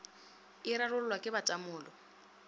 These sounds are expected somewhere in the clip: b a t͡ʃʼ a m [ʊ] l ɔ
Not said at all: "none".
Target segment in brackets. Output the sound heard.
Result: ʊː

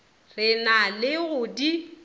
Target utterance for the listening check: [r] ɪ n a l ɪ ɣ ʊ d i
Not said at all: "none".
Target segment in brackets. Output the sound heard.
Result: r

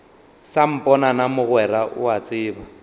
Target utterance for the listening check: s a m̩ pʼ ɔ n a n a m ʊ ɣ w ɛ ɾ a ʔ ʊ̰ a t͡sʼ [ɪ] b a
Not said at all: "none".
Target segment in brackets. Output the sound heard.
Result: ɪː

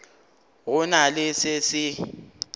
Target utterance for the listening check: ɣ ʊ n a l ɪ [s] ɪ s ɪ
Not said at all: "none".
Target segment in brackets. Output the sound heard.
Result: s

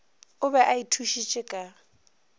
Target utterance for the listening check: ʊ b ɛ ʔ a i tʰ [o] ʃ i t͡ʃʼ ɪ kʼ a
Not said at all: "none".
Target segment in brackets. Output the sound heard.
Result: u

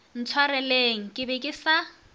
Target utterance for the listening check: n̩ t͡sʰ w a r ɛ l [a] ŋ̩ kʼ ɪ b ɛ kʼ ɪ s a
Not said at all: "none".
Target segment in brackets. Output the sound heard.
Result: e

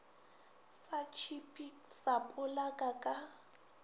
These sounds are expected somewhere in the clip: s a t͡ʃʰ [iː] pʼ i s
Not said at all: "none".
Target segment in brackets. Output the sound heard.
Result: i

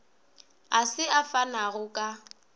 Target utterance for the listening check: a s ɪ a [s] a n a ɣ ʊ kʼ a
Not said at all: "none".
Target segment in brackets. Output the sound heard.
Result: f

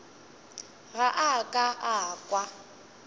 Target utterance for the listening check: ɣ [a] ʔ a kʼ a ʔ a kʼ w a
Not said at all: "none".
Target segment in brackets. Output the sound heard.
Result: a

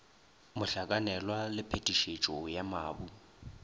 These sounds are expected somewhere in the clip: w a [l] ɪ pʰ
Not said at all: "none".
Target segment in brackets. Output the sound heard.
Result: l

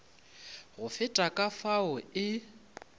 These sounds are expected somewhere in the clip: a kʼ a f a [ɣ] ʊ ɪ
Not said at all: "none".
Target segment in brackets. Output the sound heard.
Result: none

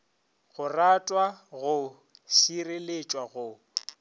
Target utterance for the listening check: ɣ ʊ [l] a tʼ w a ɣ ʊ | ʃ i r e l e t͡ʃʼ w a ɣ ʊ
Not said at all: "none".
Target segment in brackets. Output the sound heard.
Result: r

